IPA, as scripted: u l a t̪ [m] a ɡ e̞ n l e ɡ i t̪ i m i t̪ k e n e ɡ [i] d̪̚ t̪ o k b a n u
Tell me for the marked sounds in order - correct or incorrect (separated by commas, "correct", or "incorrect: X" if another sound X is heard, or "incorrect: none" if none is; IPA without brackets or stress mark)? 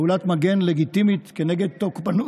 correct, incorrect: e